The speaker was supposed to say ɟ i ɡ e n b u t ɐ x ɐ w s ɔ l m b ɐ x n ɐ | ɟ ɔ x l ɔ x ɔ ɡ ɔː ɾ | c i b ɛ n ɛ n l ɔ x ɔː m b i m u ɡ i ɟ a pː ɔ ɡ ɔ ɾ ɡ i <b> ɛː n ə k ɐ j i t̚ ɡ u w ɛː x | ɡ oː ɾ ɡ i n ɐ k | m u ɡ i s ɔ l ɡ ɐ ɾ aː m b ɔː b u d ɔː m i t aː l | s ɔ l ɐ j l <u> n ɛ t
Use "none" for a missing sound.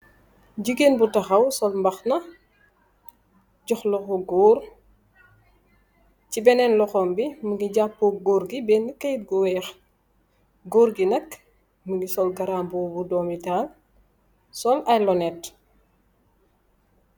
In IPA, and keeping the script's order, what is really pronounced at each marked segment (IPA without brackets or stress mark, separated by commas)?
b, ɔ